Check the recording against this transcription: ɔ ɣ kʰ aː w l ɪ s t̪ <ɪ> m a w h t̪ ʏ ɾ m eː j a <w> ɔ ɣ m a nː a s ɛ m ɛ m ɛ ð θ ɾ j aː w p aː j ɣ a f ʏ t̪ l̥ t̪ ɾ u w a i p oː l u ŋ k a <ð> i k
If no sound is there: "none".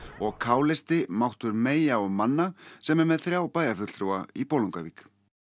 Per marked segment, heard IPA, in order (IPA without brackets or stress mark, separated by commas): ɪ, none, v